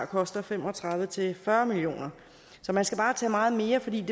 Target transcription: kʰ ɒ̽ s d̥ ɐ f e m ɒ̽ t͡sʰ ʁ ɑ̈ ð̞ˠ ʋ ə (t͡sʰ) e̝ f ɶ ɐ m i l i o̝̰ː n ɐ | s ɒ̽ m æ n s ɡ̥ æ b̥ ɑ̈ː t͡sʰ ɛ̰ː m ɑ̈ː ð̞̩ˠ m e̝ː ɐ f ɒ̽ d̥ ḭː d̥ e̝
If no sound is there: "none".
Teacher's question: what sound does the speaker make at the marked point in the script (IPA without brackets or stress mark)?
t͡sʰ